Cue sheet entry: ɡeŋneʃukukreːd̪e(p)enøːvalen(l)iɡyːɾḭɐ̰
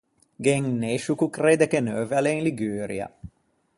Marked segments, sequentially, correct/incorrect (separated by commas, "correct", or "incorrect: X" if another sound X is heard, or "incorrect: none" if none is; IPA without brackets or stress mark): incorrect: k, correct